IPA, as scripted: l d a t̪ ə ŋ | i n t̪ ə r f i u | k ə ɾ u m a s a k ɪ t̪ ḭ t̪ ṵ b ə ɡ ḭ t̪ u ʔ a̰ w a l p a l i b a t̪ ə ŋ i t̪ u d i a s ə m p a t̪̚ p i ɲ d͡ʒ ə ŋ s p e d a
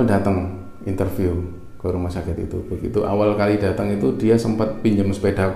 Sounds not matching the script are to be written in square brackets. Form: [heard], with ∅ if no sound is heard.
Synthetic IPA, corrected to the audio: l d a t̪ ə ŋ | i n t̪ ə r f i u | k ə ɾ u m a s a k ɪ t̪ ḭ t̪ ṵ b ə ɡ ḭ t̪ u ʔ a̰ w a l [k] a l i [d] a t̪ ə ŋ i t̪ u d i a s ə m p a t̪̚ p i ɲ d͡ʒ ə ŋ s p e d a